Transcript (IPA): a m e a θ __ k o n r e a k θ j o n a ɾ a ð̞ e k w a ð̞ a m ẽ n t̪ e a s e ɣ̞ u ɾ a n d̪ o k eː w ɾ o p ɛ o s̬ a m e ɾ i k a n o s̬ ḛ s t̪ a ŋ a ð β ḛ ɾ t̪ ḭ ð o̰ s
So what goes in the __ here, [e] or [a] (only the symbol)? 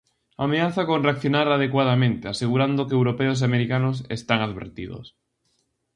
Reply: a